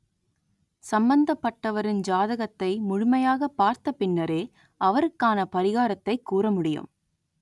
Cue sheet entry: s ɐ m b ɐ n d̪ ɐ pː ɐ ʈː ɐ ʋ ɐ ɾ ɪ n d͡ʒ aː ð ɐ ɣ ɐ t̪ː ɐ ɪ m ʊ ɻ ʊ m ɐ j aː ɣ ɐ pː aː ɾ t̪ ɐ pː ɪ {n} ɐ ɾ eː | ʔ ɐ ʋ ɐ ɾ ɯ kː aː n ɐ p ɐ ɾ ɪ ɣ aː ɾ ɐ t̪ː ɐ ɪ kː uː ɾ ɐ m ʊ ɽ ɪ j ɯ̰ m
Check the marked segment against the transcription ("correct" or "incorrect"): incorrect